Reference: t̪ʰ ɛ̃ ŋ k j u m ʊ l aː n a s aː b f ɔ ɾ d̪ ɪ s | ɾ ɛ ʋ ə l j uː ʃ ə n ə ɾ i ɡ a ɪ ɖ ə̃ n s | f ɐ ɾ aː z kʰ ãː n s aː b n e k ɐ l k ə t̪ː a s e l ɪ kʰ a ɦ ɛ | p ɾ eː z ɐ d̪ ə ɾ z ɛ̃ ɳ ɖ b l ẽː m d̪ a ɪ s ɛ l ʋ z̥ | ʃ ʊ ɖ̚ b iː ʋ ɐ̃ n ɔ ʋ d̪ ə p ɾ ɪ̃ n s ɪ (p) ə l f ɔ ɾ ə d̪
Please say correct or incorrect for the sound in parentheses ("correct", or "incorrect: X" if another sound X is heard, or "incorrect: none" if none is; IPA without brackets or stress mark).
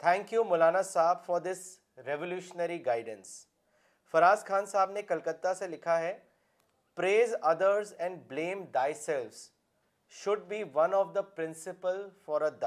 correct